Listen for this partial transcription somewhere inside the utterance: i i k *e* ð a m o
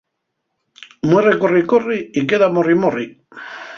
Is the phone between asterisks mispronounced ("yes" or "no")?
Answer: no